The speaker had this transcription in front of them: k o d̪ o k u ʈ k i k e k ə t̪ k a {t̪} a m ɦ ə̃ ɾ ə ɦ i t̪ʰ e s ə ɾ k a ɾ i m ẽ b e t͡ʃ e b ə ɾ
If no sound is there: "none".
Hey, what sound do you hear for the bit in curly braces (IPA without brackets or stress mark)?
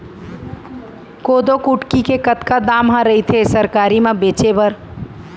d̪